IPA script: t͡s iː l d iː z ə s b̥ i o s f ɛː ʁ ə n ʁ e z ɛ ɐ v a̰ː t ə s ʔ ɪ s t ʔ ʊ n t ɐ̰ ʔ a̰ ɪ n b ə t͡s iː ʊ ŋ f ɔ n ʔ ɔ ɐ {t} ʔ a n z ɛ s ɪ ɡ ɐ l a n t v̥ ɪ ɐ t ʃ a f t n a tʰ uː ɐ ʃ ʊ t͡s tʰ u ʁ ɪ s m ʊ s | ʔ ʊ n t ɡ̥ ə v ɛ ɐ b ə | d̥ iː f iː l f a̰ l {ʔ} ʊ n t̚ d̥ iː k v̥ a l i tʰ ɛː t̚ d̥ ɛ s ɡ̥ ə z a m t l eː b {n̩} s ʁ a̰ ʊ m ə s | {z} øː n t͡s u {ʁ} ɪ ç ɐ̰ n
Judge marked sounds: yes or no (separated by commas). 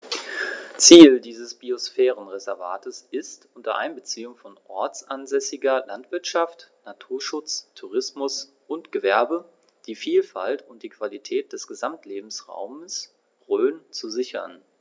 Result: no, no, no, no, no